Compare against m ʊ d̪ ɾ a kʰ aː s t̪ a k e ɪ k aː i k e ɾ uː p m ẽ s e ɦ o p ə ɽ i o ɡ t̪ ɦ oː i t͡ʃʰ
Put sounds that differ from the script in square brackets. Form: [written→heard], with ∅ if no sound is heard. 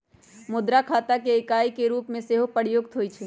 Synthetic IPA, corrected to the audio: m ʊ d̪ ɾ a kʰ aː [s→∅] t̪ a k e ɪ k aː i k e ɾ uː p m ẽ s e ɦ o p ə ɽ [i→j] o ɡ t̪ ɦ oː i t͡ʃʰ